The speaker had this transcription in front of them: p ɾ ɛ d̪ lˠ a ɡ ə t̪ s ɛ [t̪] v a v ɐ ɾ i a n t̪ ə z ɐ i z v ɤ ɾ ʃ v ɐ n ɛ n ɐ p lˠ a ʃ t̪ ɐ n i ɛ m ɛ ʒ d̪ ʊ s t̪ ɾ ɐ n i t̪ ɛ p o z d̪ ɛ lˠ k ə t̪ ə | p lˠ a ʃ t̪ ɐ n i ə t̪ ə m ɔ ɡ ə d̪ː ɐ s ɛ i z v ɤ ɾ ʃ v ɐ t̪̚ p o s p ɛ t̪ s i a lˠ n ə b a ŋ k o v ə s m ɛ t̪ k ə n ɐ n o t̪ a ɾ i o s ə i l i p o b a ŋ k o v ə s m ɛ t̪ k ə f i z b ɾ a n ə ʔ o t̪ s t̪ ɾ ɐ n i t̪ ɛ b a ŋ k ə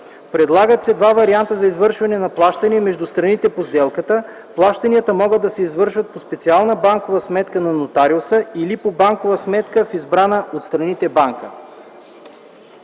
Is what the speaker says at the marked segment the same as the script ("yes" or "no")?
no